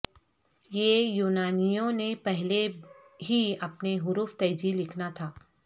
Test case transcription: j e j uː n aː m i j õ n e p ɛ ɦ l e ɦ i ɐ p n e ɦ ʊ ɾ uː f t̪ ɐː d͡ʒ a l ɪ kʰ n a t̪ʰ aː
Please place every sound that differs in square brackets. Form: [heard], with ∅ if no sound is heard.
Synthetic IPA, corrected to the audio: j e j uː n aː [n] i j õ n e p ɛ ɦ l e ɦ i ɐ p n e ɦ ʊ ɾ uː f t̪ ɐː d͡ʒ [i] l ɪ kʰ n a t̪ʰ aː